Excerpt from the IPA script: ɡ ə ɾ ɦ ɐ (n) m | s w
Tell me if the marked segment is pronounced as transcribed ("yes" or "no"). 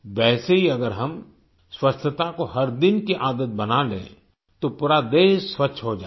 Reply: no